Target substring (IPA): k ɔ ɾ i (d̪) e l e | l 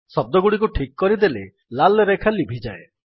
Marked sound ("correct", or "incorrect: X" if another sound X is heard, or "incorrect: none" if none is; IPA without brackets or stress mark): correct